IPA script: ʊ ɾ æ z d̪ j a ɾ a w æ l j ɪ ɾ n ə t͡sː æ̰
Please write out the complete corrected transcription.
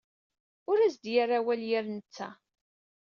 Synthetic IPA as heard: ʊ ɾ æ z d̪ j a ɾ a w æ l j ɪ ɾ n ə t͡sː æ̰